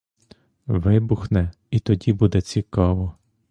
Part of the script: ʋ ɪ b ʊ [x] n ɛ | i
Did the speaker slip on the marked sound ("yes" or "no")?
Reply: no